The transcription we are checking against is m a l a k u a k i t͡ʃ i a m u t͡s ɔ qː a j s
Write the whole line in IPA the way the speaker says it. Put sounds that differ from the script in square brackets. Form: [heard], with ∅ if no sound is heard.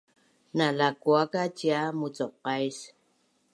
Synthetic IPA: [n] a l a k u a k [a] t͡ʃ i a m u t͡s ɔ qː a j s